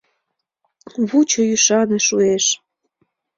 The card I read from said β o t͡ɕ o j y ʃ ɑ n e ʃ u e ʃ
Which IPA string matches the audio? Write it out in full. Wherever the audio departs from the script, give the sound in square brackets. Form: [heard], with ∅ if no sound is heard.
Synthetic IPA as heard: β [u] t͡ɕ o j y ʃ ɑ n e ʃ u e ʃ